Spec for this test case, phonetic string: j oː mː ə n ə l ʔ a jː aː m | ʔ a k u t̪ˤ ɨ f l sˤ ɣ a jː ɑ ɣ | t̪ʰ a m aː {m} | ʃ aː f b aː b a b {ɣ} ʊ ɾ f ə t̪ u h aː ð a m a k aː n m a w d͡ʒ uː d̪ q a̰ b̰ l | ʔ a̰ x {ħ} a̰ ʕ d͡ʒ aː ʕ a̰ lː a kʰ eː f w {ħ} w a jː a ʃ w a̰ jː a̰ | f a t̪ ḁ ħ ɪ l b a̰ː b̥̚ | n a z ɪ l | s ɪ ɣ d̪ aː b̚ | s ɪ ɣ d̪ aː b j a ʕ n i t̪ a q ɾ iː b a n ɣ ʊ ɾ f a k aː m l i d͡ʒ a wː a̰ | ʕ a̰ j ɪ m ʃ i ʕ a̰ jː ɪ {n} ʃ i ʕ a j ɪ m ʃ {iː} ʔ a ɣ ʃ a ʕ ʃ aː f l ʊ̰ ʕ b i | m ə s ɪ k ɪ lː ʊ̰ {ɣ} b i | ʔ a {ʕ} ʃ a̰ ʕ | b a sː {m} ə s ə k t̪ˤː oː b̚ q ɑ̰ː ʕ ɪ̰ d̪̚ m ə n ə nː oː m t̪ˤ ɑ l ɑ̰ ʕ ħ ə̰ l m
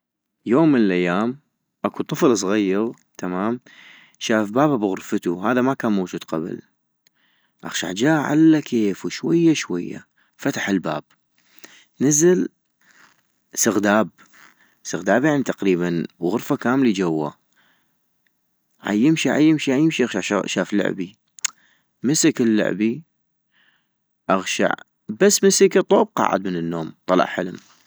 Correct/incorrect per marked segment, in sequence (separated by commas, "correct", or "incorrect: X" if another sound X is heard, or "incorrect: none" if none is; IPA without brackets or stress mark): correct, correct, incorrect: ʃ, incorrect: ʃ, incorrect: m, incorrect: i, incorrect: ʕ, incorrect: ɣ, correct